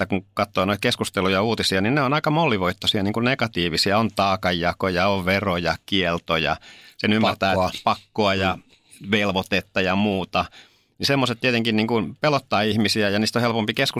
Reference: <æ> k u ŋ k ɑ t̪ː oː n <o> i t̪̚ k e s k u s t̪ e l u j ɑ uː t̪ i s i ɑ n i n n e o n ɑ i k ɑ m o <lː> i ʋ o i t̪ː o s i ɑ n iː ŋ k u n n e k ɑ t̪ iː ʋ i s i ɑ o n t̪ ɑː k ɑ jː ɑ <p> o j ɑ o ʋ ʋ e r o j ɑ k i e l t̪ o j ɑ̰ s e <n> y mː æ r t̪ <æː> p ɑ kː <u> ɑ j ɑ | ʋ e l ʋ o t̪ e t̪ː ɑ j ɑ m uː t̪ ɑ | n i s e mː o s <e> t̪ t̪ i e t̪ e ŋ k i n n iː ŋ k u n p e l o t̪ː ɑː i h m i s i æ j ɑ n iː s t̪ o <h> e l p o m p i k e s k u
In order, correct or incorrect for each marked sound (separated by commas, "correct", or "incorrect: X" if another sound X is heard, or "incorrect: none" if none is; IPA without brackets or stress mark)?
correct, correct, correct, incorrect: k, correct, correct, incorrect: o, correct, correct